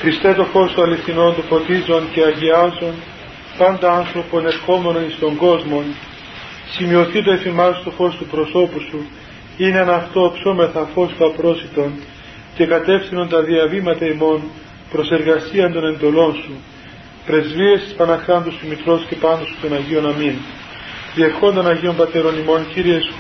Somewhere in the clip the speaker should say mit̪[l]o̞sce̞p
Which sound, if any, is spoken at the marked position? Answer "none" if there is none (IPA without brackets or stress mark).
ɾ